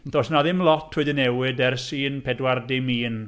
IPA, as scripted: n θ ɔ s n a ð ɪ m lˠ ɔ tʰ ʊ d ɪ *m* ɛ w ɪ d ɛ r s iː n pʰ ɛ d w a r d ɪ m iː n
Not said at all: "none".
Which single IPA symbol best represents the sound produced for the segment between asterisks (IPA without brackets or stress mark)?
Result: n